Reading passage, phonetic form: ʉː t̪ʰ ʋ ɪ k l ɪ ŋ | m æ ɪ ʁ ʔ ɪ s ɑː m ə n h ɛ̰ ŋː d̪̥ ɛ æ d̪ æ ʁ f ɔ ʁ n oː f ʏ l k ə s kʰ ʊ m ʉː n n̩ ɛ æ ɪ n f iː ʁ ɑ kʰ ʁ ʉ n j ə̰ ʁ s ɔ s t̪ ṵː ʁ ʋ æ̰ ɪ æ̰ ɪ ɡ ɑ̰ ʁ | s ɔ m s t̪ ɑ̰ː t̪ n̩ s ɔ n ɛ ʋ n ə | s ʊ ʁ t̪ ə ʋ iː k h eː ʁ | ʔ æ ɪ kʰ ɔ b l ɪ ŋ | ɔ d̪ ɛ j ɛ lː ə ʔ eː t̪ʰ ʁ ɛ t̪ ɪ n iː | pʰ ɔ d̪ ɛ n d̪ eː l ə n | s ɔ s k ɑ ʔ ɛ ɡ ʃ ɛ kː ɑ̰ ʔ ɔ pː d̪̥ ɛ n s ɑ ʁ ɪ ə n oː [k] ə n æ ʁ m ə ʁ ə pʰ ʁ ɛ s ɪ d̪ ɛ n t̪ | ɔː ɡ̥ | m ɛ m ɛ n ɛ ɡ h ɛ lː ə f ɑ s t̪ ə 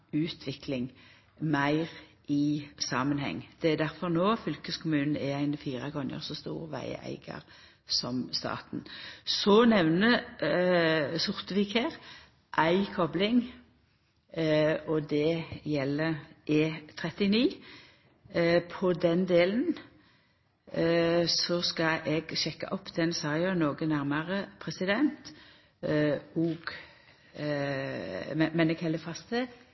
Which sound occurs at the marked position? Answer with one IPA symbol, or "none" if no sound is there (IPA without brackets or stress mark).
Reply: ɡ